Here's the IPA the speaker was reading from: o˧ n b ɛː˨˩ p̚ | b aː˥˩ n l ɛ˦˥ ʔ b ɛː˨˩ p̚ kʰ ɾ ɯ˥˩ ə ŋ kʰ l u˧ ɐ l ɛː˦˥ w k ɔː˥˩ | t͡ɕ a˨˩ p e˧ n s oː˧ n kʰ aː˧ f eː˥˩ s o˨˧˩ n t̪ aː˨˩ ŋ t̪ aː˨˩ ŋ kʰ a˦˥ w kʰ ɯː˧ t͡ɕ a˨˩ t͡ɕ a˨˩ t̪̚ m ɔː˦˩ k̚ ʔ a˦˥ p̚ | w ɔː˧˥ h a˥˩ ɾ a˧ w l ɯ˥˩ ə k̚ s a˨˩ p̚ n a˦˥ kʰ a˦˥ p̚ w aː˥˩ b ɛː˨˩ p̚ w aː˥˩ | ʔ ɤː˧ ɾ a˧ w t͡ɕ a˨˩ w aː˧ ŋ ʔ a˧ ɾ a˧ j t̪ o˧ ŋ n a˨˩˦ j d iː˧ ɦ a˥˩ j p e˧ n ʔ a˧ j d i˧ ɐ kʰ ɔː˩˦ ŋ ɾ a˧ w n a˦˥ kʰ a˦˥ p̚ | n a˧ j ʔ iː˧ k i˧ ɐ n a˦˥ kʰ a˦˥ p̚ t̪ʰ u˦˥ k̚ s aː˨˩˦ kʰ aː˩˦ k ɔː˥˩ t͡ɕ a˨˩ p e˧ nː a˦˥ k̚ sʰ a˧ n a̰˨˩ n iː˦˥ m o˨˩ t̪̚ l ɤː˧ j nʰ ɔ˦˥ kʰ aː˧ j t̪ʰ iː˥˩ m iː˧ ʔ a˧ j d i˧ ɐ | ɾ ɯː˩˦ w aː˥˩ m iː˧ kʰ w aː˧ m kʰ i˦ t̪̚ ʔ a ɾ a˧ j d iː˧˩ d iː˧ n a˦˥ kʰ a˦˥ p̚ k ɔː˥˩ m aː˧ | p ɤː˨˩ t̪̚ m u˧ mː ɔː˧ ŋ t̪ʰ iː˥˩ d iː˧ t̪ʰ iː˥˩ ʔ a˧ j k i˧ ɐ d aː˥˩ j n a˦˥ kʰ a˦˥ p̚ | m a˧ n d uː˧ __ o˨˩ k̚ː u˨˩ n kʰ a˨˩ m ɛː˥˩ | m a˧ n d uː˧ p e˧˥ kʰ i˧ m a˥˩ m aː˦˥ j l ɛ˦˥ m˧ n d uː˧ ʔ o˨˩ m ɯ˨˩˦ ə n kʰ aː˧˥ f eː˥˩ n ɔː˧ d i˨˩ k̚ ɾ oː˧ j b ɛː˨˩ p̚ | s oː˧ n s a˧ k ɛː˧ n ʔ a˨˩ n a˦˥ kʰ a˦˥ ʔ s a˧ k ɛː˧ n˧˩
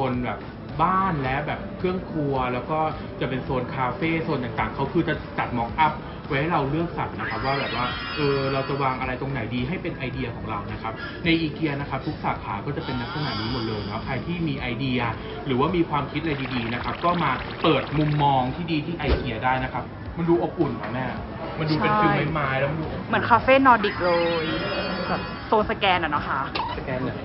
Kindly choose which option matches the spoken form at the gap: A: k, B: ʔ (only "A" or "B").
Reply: B